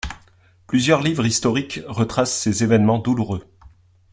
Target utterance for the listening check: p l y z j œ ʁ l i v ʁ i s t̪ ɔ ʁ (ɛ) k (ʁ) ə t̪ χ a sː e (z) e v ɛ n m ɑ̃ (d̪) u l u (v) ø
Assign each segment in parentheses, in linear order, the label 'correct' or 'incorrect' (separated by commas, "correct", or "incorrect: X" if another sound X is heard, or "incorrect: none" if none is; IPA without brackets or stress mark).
incorrect: i, correct, correct, correct, incorrect: ʁ